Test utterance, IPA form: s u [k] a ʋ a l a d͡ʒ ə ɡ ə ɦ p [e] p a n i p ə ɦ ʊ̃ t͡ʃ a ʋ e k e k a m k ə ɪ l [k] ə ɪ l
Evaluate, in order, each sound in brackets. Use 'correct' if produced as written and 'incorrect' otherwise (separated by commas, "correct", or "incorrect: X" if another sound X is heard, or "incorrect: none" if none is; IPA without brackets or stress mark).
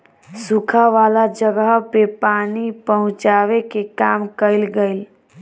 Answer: incorrect: kʰ, correct, incorrect: ɡ